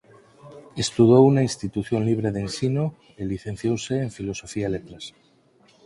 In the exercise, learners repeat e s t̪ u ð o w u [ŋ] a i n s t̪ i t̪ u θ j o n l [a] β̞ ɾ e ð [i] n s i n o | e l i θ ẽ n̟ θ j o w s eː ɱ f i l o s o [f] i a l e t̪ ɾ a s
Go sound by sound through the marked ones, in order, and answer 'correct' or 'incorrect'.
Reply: incorrect: n, incorrect: i, incorrect: e, correct

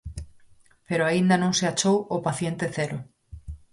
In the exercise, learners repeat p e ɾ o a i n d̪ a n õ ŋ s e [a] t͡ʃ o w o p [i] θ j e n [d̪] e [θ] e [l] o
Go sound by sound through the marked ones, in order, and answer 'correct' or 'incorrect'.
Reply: correct, incorrect: a, incorrect: t̪, correct, incorrect: ɾ

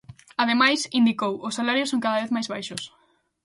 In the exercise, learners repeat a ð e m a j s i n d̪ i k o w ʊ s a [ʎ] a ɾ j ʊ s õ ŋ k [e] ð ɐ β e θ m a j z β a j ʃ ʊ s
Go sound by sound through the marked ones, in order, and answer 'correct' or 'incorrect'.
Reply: incorrect: l, incorrect: a

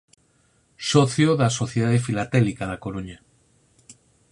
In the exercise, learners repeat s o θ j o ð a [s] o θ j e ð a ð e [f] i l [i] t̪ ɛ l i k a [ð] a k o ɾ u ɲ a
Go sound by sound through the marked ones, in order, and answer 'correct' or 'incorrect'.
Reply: correct, correct, incorrect: a, correct

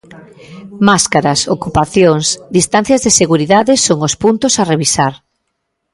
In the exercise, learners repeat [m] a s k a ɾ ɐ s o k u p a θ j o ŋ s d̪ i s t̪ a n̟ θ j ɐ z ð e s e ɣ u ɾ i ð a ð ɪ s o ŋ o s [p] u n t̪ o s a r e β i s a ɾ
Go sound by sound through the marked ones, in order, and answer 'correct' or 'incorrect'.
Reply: correct, correct

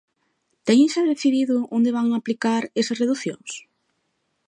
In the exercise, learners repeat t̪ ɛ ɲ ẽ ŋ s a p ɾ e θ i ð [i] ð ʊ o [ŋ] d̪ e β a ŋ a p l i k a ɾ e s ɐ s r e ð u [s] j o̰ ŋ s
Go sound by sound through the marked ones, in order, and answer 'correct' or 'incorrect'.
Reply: correct, incorrect: n, incorrect: θ

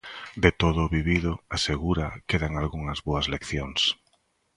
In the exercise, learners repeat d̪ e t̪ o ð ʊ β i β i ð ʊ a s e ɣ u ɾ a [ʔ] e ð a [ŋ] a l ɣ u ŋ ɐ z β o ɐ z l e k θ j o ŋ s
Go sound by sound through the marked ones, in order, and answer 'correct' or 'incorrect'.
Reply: incorrect: k, correct

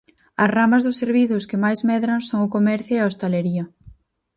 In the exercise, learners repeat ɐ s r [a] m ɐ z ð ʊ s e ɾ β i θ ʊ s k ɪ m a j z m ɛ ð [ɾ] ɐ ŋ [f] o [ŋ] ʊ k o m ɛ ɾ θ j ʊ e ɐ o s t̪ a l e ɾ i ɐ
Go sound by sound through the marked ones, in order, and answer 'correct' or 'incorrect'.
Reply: correct, correct, incorrect: s, correct

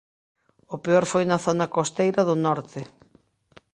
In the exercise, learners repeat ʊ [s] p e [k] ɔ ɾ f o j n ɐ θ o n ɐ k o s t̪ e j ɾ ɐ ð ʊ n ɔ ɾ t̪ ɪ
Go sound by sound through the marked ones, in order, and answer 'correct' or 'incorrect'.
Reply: incorrect: none, incorrect: none

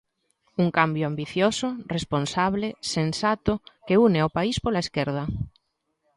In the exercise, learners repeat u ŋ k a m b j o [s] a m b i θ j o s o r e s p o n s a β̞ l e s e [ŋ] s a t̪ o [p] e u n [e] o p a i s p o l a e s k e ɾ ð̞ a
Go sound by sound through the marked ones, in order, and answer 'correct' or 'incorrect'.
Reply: incorrect: none, incorrect: n, incorrect: k, correct

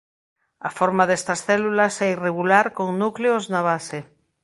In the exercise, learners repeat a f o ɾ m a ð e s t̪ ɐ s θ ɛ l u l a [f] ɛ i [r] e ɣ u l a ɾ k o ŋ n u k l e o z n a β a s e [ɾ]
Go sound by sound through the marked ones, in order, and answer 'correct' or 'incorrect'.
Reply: incorrect: s, correct, incorrect: none

